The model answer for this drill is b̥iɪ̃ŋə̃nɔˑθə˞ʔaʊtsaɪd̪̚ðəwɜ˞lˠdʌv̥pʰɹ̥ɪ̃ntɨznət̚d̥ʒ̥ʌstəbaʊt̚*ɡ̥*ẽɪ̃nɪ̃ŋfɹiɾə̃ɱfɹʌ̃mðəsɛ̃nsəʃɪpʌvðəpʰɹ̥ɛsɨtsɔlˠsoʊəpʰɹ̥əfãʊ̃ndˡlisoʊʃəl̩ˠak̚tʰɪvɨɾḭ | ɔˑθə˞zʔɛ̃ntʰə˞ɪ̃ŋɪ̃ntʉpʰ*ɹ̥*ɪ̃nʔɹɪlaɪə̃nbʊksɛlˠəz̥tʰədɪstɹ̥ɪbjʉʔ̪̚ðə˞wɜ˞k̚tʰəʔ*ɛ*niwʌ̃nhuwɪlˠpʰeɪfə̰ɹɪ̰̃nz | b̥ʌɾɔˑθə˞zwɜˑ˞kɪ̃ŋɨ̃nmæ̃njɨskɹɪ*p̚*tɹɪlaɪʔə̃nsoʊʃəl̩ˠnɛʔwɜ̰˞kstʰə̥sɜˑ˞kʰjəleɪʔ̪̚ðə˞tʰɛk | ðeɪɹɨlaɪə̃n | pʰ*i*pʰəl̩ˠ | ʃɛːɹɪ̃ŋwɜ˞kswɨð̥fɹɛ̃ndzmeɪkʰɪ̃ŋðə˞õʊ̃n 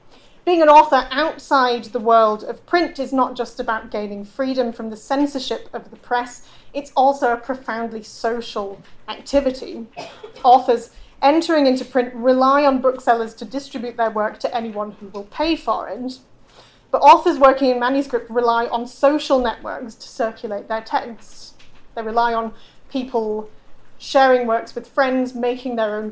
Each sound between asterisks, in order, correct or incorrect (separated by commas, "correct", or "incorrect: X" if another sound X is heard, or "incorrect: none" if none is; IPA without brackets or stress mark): correct, correct, correct, correct, correct